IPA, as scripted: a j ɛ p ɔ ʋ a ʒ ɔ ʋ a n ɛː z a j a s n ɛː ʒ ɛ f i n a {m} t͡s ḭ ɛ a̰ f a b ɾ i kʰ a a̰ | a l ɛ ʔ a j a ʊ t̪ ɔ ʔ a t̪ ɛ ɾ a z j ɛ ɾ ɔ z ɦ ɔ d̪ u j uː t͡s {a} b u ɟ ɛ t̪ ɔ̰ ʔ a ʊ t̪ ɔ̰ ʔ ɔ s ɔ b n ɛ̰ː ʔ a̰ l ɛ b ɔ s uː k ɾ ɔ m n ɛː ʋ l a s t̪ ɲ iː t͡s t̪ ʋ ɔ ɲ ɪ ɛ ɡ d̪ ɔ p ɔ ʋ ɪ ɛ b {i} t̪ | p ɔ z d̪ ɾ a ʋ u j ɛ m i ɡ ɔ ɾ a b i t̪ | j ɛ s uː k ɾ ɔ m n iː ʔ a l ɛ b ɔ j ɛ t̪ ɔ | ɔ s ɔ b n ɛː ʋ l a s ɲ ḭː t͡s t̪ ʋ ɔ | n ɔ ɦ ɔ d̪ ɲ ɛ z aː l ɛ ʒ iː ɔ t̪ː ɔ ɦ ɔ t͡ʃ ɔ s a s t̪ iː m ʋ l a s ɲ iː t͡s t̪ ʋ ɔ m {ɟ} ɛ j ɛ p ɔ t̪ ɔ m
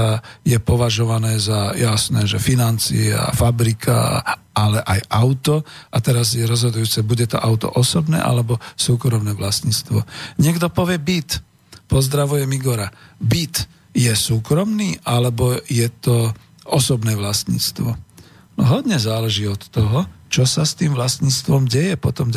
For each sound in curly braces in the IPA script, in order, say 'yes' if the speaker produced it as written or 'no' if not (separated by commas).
no, no, yes, yes